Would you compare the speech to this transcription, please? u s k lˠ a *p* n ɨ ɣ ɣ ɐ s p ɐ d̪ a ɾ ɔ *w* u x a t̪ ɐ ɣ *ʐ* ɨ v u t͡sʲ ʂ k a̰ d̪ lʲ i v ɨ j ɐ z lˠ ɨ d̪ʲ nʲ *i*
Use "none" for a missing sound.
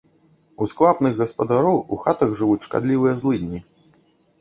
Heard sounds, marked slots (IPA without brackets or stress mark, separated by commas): p, w, ʐ, i